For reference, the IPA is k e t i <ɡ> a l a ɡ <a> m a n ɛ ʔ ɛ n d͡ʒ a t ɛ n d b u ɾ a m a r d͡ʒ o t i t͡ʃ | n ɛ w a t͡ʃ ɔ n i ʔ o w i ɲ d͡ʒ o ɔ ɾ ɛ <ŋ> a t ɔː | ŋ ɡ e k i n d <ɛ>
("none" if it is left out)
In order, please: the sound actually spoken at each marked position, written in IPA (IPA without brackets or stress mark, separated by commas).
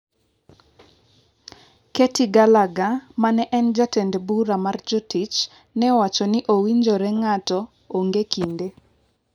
ɡ, a, ŋ, e